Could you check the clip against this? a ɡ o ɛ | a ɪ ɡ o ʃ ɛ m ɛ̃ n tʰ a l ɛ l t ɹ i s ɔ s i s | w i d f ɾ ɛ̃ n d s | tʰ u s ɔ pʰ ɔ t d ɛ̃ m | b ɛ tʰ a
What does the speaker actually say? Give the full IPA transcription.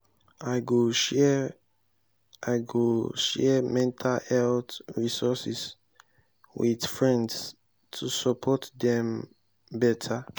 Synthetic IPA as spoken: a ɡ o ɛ | a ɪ ɡ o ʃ ɛ m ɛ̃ n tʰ a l ɛ l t ɹ i s ɔ s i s | w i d f ɹ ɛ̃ n d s | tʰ u s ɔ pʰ ɔ t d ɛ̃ m | b ɛ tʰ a

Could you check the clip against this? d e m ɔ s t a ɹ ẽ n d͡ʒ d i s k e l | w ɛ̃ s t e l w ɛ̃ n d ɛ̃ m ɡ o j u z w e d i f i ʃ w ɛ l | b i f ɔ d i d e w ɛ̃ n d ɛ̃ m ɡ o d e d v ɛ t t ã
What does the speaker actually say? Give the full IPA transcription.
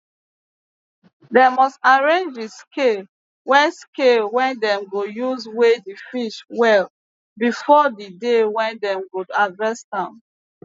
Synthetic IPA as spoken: d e m ɔ s t a ɹ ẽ n d͡ʒ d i s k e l | w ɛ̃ s k e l w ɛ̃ n d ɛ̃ m ɡ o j u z w e d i f i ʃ w ɛ l | b i f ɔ d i d e w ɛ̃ n d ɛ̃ m ɡ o d a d v ɛ s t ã

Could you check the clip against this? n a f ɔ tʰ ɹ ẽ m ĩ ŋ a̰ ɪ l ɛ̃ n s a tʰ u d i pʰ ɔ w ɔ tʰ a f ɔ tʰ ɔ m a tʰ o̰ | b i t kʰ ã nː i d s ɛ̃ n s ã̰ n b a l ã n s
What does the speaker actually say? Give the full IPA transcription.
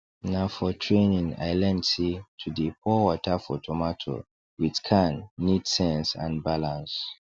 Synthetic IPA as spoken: n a f ɔ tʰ ɹ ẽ n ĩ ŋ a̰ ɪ l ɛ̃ n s i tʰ u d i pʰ ɔ w ɔ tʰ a f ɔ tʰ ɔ m a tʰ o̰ | w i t kʰ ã nː i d s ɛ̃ n s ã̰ n b a l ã n s

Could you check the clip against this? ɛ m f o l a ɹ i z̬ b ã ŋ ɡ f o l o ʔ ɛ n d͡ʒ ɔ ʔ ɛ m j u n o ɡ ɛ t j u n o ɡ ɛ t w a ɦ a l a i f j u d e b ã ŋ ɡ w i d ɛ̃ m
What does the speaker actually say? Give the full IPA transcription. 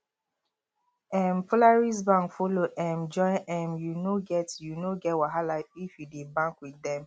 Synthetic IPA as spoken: ɛ m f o l a ɹ i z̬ b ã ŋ k f o l o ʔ ɛ m d͡ʒ ɔ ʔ ɛ m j u n o ɡ ɛ t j u n o ɡ ɛ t w a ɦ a l a i f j u d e b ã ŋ k w i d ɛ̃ m

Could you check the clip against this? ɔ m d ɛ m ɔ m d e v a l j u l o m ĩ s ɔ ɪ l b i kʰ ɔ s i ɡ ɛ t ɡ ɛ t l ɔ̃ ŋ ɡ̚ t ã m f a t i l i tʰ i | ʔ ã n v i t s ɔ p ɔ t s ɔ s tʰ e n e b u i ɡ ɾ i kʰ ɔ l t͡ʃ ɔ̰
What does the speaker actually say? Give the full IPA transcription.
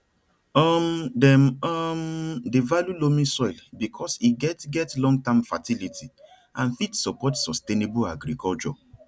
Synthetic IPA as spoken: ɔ m d ɛ m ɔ m d e v a l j u l o m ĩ s ɔ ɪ l b i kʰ ɔ s i ɡ ɛ t ɡ ɛ t l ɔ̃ ŋ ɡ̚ t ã m f a t i l i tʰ i | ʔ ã n f i t s ɔ p ɔ t s ɔ s t e n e b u a ɡ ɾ i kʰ ɔ l t͡ʃ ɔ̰

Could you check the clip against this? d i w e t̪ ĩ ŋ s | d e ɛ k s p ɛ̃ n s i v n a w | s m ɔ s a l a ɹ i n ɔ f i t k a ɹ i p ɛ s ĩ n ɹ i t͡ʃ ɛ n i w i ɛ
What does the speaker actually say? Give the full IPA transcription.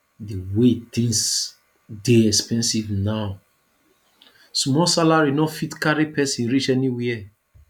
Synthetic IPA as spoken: d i w e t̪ ĩ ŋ s | d e ɛ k s p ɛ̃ n s i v n a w | s m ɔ s a l a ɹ i n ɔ f i t k a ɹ i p ɛ s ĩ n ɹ i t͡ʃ ɛ n i w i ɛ

